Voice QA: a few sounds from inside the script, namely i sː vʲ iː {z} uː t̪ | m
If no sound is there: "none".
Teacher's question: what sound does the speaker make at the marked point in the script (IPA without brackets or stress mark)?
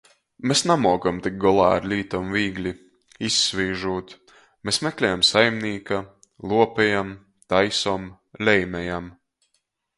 ʒ